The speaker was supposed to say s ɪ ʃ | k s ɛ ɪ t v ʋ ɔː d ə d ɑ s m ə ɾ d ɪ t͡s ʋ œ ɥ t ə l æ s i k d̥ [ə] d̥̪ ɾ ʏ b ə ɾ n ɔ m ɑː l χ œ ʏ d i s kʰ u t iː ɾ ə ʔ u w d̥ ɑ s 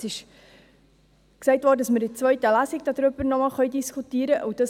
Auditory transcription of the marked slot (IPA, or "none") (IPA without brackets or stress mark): ɑ